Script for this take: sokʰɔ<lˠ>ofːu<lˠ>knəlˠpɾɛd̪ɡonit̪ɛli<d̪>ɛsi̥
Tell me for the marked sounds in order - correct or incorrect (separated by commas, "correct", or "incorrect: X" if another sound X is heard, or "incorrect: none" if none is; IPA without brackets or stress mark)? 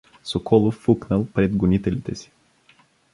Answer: correct, incorrect: none, incorrect: t̪